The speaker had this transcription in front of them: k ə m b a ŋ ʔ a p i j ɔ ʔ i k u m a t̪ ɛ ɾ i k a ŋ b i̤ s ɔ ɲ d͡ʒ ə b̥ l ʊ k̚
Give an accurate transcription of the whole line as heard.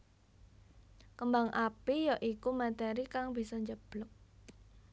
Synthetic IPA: k ə m b a ŋ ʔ a p i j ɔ ʔ i k u m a t̪ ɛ ɾ i k a ŋ b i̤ s ɔ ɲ d͡ʒ ə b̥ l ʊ k̚